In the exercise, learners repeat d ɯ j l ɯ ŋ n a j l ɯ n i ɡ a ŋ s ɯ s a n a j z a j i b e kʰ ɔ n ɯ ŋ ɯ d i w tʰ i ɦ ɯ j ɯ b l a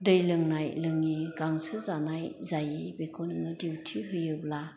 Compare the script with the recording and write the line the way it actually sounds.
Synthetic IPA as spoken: d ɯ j l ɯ ŋ n a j l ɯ ŋ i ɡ a ŋ s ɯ z a n a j z a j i b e kʰ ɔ n ɯ ŋ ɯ d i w tʰ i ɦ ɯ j ɯ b l a

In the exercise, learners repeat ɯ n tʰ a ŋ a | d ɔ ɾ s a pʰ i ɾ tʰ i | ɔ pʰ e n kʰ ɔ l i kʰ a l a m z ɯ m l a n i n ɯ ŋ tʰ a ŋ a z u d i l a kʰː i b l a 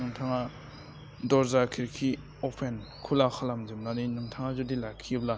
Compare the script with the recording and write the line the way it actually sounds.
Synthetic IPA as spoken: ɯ ŋ tʰ a ŋ a | d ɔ ɾ z a kʰ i ɾ kʰ i | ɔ pʰ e n kʰ u l a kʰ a l a m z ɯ m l a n i n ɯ ŋ tʰ a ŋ a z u d i l a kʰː i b l a

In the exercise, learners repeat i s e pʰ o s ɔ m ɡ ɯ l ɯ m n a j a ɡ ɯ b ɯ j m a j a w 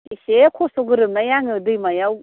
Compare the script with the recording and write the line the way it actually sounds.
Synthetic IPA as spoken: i s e kʰ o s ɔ ɡ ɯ ɾ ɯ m n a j a ŋ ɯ d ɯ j m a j a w

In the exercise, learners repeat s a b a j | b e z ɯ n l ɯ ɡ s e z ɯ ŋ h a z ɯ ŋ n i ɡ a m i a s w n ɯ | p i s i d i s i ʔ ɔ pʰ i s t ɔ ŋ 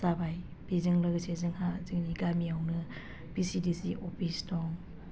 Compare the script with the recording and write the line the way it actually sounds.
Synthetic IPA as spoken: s a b a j | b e z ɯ ŋ l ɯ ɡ s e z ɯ ŋ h a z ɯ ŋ n i ɡ a m i a w n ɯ | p i s i d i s i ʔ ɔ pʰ i s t ɔ ŋ

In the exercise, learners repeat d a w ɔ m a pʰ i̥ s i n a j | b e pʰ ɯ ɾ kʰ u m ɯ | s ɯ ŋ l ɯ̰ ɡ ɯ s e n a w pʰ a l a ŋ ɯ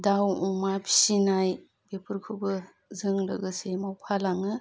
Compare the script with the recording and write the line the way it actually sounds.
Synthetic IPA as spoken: d a w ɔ m a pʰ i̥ s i n a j | b e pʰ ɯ ɾ kʰ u b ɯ | z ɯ ŋ l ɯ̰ ɡ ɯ s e m a w pʰ a l a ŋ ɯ

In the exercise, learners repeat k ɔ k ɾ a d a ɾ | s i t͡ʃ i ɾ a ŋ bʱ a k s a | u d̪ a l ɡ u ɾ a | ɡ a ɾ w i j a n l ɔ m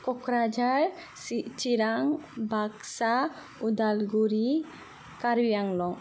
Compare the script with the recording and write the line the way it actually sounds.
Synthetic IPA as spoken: k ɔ k ɾ a d͡ʒ a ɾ | s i t͡ʃ i ɾ a ŋ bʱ a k s a | u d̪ a l ɡ u ɾ i | k a ɾ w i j a ŋ l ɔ ŋ

